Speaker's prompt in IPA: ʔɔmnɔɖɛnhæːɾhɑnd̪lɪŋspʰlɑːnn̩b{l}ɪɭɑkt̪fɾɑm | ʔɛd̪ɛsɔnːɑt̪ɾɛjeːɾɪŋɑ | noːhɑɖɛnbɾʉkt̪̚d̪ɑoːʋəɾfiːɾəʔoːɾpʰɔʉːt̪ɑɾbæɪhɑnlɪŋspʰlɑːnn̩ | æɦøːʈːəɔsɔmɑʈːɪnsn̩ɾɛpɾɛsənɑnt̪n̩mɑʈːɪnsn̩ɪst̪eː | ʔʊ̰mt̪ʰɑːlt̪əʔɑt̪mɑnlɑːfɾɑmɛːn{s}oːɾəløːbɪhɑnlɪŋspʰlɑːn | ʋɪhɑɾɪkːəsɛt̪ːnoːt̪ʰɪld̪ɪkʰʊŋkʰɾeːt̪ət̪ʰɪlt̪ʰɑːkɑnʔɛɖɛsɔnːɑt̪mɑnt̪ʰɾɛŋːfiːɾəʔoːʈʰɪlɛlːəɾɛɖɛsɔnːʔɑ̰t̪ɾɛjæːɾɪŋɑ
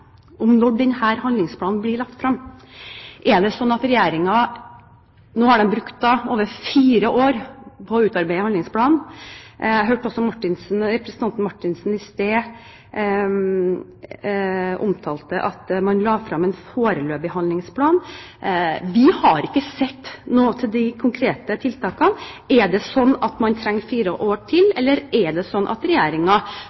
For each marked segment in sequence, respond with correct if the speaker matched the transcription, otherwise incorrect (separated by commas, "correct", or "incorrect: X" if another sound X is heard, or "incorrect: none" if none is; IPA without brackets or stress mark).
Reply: correct, incorrect: f